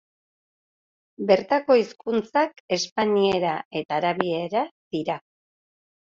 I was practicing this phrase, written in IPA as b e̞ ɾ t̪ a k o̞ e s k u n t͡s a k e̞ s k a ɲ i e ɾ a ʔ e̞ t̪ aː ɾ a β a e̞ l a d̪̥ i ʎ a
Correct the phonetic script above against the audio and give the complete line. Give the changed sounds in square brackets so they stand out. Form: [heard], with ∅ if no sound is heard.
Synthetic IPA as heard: b e̞ ɾ t̪ a k o̞ [i] s k u n t͡s a k e̞ s [p] a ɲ i e ɾ a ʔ e̞ t̪ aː ɾ a β [i] e̞ [ɾ] a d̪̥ i [ɾ] a